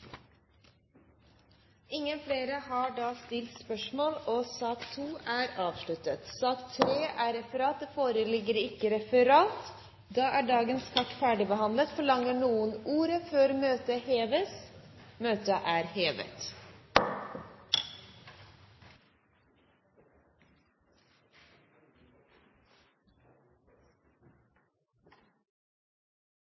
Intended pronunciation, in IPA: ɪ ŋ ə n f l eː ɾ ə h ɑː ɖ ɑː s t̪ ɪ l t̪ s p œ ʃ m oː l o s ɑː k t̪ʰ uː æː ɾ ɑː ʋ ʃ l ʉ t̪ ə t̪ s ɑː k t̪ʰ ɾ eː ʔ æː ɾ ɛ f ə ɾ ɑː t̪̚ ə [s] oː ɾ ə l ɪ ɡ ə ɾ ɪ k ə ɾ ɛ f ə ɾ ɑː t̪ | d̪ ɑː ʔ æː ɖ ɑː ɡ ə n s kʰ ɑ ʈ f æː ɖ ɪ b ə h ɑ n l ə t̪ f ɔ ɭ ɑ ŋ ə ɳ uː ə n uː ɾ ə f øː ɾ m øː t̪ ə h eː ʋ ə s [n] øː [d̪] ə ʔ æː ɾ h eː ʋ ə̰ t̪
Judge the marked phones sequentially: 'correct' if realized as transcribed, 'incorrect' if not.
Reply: incorrect: f, incorrect: m, incorrect: t̪

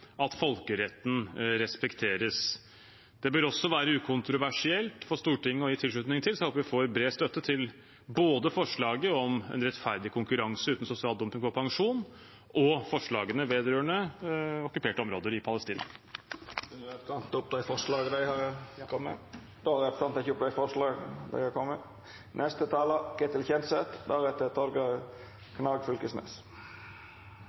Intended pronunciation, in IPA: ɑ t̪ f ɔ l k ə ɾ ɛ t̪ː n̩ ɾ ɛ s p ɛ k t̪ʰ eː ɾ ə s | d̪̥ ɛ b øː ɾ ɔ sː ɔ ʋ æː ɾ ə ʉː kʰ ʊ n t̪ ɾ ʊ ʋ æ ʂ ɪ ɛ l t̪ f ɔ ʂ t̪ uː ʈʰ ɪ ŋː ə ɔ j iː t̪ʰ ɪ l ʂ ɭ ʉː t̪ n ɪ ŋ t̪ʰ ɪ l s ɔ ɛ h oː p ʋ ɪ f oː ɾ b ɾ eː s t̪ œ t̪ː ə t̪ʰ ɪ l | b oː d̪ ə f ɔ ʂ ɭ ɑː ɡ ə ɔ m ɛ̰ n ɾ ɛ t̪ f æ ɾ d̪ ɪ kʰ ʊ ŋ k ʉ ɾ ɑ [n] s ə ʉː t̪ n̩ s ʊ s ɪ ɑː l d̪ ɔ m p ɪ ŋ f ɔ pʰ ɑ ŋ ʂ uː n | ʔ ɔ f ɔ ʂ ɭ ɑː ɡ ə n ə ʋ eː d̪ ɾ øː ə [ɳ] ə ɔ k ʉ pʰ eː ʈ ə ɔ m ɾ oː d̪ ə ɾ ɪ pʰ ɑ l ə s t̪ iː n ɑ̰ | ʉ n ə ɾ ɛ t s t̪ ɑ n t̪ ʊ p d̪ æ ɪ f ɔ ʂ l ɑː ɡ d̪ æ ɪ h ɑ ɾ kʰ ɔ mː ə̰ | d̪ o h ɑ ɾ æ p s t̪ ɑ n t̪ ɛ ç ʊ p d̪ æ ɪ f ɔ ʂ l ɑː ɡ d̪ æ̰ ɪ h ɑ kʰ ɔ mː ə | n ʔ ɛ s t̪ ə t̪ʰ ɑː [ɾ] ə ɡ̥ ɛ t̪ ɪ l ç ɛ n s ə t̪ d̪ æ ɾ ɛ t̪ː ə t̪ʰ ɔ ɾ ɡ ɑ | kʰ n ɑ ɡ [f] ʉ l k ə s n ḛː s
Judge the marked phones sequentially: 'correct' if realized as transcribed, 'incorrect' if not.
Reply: incorrect: ŋ, correct, incorrect: l, correct

